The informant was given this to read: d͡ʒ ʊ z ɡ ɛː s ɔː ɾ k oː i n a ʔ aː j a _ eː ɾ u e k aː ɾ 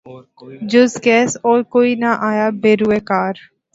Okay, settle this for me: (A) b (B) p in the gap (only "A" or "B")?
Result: A